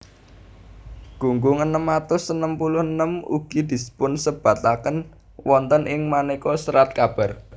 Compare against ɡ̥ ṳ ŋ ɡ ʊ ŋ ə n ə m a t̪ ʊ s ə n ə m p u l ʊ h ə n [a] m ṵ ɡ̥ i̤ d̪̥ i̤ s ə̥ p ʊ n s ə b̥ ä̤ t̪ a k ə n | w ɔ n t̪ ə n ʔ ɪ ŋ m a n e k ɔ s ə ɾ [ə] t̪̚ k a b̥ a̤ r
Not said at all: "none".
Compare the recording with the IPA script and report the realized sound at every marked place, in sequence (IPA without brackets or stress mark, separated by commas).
ə, a